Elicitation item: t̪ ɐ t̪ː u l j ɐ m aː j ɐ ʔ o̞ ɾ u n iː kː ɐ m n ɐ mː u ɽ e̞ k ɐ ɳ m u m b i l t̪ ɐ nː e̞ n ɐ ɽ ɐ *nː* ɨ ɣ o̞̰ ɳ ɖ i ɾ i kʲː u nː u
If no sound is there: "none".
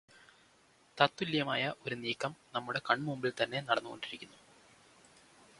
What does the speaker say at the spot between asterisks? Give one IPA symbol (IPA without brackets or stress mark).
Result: nː